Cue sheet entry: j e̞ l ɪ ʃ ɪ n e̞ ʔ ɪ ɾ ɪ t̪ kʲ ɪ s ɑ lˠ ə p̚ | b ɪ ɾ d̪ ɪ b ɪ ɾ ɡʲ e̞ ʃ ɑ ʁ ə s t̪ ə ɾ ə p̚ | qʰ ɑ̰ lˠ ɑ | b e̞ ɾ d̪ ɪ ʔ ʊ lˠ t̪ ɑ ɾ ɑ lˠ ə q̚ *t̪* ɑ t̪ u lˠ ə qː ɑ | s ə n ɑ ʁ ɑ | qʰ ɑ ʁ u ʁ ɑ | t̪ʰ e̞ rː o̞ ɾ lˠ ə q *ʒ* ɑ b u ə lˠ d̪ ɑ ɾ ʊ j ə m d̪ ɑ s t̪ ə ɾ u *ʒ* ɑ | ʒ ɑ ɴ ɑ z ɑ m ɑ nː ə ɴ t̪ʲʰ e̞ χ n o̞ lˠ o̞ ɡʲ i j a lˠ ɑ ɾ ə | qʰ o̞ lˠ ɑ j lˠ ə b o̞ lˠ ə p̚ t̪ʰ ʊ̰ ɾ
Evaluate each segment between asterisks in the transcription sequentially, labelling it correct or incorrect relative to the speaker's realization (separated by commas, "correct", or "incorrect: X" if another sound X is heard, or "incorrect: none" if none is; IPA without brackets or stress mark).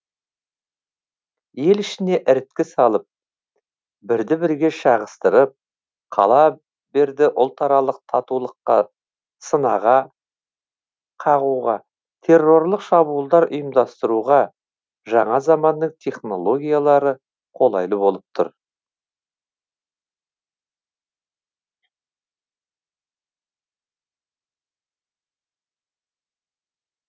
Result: incorrect: t̪ʰ, incorrect: ʃ, incorrect: ʁ